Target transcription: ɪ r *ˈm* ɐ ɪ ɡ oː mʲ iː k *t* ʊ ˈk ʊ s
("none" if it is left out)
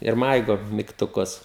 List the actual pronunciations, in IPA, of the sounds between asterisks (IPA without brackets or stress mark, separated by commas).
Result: m, t